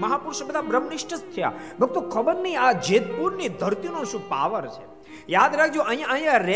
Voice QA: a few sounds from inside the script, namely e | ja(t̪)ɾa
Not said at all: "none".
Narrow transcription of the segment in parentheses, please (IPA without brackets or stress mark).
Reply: d̪